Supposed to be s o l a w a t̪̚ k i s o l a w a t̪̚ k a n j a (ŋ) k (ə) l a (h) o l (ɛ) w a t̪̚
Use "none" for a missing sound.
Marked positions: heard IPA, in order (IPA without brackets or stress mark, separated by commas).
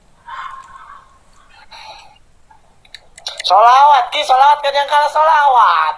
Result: ŋ, a, s, a